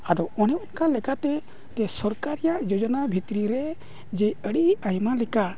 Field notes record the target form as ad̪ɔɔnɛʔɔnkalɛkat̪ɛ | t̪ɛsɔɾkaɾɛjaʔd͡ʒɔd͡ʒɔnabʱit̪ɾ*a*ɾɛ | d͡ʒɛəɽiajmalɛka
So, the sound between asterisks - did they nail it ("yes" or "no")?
no